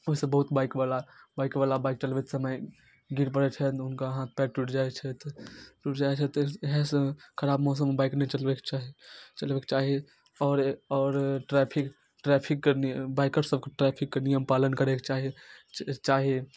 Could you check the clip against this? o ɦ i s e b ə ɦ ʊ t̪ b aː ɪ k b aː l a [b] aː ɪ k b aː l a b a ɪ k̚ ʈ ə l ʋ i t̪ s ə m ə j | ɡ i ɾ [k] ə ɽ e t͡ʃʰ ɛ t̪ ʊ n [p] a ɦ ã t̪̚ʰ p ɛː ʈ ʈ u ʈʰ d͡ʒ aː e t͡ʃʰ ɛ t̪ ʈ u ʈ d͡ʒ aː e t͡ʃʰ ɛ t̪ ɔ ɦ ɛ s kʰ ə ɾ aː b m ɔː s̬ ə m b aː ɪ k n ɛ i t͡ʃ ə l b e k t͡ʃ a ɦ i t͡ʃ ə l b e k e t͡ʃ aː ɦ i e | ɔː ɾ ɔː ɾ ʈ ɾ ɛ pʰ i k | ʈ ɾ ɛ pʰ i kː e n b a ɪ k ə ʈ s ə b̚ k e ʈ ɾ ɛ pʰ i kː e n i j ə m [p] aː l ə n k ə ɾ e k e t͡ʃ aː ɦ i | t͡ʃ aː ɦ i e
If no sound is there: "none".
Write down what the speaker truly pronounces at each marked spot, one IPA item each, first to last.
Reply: b, p, k, p

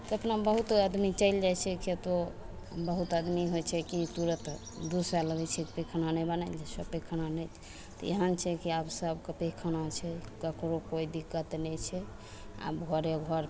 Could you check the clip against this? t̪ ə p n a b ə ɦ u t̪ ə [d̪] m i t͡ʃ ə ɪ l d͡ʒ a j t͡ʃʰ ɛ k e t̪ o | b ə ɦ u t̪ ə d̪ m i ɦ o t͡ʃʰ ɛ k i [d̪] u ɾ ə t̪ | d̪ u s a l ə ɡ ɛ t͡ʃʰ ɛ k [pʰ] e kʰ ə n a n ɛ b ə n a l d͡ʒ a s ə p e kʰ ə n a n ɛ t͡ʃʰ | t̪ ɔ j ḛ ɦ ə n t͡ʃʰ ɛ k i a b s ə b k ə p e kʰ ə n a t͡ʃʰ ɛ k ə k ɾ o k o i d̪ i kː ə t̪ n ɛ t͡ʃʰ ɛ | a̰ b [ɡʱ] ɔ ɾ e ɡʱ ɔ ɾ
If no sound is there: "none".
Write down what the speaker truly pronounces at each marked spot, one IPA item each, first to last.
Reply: d̪, t̪, p, ɡʱ

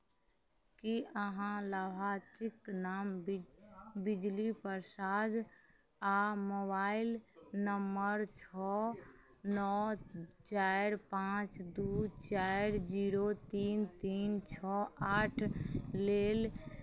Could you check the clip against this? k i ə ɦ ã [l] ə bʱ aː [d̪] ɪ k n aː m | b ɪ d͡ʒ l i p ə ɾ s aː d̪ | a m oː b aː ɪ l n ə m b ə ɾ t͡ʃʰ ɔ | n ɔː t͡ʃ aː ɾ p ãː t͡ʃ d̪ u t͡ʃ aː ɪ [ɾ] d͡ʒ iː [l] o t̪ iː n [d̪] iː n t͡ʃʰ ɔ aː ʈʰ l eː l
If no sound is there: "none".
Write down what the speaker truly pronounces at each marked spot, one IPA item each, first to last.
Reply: l, t̪, ɾ, ɾ, t̪

